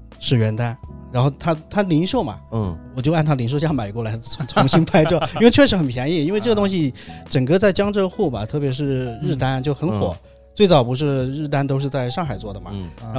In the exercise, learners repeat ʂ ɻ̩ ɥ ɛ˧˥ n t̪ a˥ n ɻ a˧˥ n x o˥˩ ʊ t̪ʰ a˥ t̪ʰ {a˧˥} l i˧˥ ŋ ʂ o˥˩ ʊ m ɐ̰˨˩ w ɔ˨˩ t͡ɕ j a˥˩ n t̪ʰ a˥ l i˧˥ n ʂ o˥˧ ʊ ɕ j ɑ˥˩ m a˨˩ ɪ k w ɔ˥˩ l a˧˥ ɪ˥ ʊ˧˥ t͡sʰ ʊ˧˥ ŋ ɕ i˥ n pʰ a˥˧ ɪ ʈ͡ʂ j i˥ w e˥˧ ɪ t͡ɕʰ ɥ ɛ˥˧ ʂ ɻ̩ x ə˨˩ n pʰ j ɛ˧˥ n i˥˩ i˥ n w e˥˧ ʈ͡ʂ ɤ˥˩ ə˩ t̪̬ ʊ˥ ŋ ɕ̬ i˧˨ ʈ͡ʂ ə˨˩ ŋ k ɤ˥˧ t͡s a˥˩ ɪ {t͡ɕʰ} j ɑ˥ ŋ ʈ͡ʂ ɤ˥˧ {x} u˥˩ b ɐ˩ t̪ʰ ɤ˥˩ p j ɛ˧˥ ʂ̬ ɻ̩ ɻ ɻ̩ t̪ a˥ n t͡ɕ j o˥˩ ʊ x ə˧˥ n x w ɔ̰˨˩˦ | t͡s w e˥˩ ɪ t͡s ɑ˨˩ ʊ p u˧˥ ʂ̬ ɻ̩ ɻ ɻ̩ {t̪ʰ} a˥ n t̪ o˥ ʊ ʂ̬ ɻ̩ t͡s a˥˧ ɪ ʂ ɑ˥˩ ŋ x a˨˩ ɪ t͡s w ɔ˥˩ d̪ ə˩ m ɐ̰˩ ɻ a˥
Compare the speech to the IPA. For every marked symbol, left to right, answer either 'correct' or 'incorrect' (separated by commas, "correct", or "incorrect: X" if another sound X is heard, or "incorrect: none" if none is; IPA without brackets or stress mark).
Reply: incorrect: a˥, incorrect: t͡ɕ, correct, incorrect: t̪